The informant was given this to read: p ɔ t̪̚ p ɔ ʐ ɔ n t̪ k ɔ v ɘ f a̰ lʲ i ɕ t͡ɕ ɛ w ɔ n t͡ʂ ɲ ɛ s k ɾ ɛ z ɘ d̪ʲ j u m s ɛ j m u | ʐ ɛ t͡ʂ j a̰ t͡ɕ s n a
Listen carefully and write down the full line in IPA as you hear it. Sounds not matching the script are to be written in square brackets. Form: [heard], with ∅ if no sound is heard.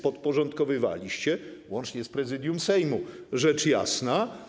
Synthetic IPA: p ɔ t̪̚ p ɔ ʐ ɔ n t̪ k ɔ v ɘ [v] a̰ lʲ i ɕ t͡ɕ ɛ w ɔ n t͡ʂ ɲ ɛ s [p] ɾ ɛ z ɘ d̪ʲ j u m s ɛ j m u | ʐ ɛ t͡ʂ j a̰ [∅] s n a